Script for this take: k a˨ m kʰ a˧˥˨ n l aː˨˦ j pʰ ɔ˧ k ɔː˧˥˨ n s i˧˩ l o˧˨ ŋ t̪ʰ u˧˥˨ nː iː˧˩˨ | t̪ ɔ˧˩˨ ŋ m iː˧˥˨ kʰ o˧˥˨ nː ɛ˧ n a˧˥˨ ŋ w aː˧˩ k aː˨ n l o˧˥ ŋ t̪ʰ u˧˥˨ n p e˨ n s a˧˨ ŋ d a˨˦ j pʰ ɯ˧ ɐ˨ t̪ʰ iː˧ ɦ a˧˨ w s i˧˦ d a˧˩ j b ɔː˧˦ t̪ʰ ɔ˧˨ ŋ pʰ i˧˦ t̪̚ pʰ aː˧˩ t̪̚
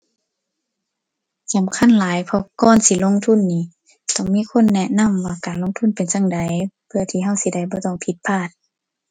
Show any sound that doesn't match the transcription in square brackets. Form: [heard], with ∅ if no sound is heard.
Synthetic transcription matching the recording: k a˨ m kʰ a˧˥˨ n l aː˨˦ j pʰ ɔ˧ k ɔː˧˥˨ n s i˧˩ l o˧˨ ŋ t̪ʰ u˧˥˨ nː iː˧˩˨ | t̪ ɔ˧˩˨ ŋ m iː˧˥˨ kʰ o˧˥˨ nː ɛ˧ n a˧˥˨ [m] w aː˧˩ k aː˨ n l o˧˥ ŋ t̪ʰ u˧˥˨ n p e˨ n s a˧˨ ŋ d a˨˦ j pʰ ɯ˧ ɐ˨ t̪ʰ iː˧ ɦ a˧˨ w s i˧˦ d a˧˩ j b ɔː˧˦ [t̪] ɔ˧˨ ŋ pʰ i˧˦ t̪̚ pʰ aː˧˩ t̪̚

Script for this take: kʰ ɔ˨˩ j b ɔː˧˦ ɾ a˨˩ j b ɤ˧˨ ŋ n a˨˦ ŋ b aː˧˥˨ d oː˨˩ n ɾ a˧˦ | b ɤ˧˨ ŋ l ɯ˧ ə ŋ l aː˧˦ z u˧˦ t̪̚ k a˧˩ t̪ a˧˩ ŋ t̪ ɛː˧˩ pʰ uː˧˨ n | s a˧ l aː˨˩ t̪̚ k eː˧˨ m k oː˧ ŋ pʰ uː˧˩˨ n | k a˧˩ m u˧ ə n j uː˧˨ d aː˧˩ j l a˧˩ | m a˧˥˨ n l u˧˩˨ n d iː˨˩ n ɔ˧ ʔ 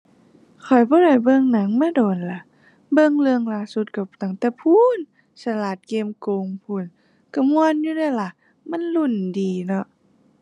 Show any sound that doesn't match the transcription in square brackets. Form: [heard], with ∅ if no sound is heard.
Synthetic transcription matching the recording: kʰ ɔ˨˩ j b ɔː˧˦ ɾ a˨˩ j b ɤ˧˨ ŋ n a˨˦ ŋ [m] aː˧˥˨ d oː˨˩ n [l] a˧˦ | b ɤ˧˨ ŋ l ɯ˧ ə ŋ l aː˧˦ [s] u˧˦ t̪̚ k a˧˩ t̪ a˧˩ ŋ t̪ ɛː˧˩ pʰ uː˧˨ n | s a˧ l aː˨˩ t̪̚ k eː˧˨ m k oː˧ ŋ pʰ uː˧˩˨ n | k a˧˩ m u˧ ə n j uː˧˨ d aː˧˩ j l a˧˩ | m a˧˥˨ n l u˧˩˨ n d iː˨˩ n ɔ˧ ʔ

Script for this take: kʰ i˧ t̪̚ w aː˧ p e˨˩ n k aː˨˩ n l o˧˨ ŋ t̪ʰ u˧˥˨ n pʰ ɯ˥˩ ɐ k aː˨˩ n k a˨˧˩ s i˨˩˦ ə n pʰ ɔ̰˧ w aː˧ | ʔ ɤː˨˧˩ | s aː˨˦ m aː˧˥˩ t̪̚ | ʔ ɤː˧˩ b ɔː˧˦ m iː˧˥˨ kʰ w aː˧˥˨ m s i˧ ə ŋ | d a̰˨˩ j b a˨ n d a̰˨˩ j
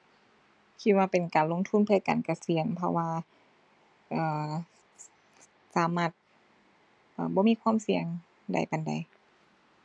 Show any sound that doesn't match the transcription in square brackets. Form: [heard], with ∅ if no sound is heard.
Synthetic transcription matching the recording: kʰ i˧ t̪̚ w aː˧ p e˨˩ n k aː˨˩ n l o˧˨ ŋ t̪ʰ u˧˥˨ n pʰ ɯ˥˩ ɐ k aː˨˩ n k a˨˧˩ s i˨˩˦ ə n pʰ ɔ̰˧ w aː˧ | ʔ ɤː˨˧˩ | s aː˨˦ m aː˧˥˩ t̪̚ | ʔ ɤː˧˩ b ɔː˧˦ m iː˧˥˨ kʰ w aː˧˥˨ m s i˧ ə ŋ | d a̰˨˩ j [p] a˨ n d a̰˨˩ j

